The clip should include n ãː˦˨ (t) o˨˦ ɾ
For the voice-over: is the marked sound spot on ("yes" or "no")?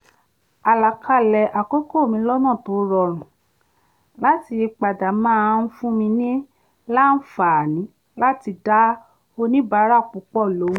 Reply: yes